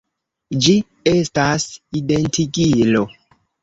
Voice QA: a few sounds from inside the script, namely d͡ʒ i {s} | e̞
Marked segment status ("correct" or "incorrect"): incorrect